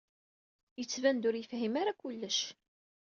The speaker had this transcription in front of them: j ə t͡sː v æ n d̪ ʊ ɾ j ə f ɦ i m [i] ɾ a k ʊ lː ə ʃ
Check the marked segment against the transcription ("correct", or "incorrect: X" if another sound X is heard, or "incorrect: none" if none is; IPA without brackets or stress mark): incorrect: a